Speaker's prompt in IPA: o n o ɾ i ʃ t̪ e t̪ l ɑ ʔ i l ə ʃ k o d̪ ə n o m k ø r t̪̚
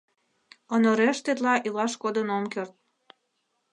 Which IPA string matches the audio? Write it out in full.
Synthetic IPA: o n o ɾ e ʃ t̪ e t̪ l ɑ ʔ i l ɑ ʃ k o d̪ ə n o m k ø r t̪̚

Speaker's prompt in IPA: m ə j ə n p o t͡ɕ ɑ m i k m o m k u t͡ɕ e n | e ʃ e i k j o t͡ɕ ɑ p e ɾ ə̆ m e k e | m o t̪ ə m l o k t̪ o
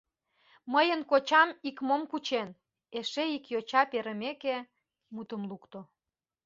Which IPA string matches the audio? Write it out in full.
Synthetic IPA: m ə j ə n k o t͡ɕ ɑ m i k m o m k u t͡ɕ e n | e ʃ e i k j o t͡ɕ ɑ p e ɾ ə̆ m e k e | m u t̪ ə m l u k t̪ o

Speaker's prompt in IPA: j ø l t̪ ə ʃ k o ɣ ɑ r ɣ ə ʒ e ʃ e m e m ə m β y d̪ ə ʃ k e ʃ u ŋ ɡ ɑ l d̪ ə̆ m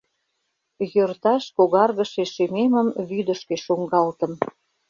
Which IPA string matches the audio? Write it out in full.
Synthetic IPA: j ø r t̪ ɑ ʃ k o ɣ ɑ r ɣ ə ʃ e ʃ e m e m ə m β y d̪ ə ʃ k e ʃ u ŋ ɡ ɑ l t̪ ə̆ m

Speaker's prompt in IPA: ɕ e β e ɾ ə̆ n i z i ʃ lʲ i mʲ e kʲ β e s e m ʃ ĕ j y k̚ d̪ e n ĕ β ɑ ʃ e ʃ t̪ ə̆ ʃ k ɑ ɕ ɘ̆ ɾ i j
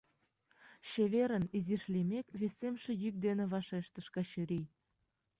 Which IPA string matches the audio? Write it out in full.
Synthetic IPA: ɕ e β e ɾ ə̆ n i z i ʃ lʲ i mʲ e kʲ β e s e m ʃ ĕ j y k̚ d̪ e n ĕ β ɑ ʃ e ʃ t̪ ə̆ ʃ k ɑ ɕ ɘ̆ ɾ i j

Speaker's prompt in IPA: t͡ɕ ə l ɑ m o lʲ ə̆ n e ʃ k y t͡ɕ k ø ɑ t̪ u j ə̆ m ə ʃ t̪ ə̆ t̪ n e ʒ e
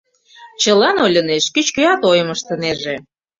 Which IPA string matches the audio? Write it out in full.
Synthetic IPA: t͡ɕ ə l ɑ n o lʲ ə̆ n e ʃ k y t͡ɕ k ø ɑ t̪ o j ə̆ m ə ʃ t̪ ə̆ n e ʒ e

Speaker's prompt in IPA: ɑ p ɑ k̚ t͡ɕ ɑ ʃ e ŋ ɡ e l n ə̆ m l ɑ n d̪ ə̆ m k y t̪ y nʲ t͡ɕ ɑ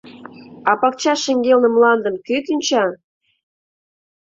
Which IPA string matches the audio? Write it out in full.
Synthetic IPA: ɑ p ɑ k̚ t͡ɕ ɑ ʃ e ŋ ɡ e l n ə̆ m l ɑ n d̪ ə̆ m k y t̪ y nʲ t͡ɕ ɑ

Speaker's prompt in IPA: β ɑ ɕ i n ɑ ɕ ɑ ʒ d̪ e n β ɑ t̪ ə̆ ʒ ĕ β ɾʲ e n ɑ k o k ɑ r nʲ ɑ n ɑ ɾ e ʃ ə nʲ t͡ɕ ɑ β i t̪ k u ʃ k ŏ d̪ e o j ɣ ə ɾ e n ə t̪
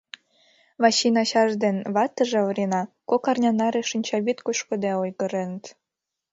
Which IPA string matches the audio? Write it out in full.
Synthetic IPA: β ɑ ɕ i n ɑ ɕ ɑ ʒ d̪ e n β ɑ t̪ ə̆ ʒ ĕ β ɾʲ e n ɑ k o k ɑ r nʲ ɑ n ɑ ɾ e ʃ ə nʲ t͡ɕ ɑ β i t̪ k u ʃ k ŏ d̪ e o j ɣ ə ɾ e n ə t̪

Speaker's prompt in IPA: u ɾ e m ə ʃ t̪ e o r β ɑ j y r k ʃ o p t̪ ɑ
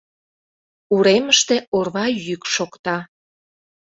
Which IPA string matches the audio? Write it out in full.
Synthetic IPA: u ɾ e m ə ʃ t̪ e o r β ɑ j y k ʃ o k t̪ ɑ

